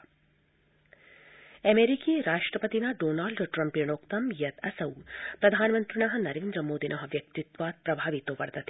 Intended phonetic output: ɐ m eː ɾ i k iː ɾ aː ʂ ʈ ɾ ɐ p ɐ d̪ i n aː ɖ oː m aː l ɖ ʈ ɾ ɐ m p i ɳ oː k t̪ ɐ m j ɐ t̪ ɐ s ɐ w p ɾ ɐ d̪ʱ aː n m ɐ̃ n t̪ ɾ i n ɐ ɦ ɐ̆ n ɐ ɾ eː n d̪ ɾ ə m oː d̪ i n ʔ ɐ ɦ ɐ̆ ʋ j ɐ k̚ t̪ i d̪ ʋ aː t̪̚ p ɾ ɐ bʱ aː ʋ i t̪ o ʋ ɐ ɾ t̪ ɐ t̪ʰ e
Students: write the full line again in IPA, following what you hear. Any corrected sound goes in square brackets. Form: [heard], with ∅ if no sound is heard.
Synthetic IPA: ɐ m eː ɾ i k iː ɾ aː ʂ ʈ ɾ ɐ p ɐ [t̪] i n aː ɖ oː [n] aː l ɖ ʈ ɾ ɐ m p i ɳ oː k t̪ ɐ m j ɐ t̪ ɐ s ɐ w p ɾ ɐ d̪ʱ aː n m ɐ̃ n t̪ ɾ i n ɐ ɦ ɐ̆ n ɐ ɾ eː n d̪ ɾ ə m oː d̪ i n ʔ ɐ ɦ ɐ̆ ʋ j ɐ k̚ t̪ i [t̪] ʋ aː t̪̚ p ɾ ɐ bʱ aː ʋ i t̪ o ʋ ɐ ɾ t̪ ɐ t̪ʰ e